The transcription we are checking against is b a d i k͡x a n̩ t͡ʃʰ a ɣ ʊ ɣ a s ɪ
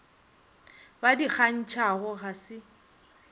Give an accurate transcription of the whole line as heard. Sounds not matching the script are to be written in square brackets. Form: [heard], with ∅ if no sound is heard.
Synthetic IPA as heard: b a d i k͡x a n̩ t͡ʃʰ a ɣ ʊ ɣ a s ɪ